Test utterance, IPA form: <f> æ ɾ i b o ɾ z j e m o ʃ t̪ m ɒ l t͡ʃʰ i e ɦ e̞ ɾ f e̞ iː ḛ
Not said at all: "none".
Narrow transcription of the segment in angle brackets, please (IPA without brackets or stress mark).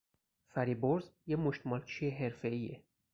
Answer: f